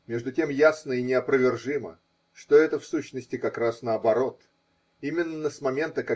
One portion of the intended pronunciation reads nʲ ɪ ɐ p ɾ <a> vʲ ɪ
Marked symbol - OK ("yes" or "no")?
no